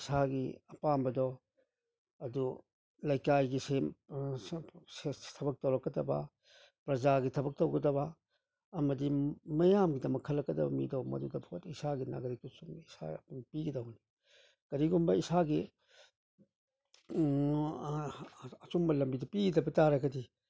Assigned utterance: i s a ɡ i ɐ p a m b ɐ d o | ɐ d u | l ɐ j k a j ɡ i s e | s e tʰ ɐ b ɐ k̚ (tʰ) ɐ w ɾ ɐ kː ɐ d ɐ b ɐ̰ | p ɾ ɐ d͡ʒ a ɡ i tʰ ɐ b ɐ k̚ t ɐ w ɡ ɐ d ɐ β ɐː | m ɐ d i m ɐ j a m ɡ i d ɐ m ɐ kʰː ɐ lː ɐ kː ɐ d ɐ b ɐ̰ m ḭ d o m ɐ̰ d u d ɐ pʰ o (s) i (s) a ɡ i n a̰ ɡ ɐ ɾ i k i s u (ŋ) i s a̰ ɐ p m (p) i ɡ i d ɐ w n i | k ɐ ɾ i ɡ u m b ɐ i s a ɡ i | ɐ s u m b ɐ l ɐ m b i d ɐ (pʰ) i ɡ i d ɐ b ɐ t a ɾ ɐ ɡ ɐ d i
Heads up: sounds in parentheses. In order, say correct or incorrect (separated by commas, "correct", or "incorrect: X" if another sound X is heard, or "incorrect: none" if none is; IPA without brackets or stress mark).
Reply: incorrect: t, incorrect: t, correct, incorrect: m, correct, incorrect: p